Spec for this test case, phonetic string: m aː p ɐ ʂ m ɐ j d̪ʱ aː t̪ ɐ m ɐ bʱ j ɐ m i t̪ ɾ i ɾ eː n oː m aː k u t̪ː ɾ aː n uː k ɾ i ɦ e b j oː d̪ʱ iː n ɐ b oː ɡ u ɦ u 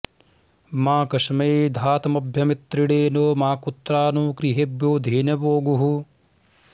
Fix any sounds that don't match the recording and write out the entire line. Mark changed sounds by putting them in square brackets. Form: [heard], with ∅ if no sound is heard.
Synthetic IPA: m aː [k] ɐ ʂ m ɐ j d̪ʱ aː t̪ ɐ m ɐ bʱ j ɐ m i t̪ ɾ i [ɽ] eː n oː m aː k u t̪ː ɾ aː n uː k ɾ i ɦ e b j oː d̪ʱ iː n ɐ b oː ɡ u ɦ u